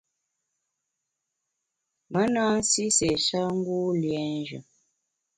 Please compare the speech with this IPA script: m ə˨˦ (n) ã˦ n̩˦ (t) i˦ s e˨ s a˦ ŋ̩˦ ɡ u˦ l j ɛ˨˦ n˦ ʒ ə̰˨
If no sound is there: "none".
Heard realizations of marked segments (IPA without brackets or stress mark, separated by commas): n, s